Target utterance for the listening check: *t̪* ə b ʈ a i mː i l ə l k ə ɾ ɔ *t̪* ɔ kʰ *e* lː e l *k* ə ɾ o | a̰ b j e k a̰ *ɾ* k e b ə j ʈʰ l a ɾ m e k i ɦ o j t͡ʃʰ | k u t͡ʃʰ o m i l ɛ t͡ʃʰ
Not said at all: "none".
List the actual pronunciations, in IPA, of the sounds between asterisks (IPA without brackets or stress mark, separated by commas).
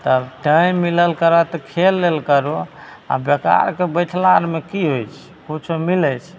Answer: t̪, t̪, e, k, ɾ